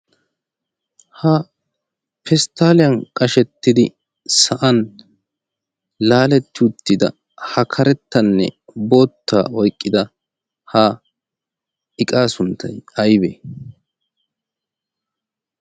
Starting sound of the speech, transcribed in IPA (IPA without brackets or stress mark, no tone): h